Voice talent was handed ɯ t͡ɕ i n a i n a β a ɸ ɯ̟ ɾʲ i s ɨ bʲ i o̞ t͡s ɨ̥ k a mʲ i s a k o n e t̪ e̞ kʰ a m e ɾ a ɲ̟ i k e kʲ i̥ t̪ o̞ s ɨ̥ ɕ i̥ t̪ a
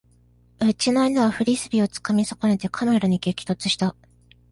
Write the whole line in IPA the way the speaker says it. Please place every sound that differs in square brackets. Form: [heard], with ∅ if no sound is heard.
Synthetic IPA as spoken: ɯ t͡ɕ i n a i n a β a ɸ ɯ̟ ɾʲ i s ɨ bʲ i o̞ t͡s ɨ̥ k a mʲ i s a k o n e t̪ e̞ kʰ a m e ɾ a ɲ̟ i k e kʲ i̥ t̪ o̞ [t͡s] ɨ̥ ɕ i̥ t̪ a